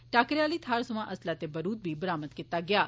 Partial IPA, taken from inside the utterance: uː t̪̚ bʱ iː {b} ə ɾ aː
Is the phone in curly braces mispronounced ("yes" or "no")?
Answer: no